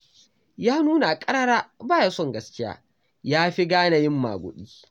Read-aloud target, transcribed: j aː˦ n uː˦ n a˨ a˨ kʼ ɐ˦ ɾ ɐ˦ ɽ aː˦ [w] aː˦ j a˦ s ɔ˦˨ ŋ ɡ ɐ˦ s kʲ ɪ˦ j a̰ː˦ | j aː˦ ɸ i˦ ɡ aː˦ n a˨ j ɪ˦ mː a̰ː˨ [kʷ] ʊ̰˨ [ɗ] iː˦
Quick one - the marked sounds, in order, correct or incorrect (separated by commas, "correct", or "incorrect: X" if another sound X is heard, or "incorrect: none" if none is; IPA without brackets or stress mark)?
incorrect: b, incorrect: ɡʷ, correct